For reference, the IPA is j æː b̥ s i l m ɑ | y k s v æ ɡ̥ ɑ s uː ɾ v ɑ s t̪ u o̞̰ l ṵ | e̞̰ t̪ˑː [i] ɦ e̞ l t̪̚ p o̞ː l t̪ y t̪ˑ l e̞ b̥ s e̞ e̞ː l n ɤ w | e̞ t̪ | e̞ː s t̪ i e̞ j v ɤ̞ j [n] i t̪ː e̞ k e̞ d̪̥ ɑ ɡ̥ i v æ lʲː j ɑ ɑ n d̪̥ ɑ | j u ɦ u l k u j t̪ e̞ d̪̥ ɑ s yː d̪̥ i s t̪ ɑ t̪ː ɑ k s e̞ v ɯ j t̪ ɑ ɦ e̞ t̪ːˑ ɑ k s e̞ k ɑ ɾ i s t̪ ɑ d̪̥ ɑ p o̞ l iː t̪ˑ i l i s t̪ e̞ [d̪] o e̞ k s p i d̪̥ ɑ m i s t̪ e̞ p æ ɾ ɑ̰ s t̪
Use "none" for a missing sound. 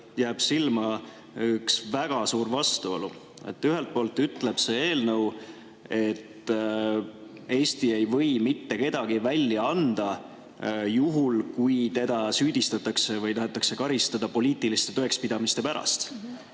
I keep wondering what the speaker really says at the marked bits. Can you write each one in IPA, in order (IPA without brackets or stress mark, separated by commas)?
y, m, t̪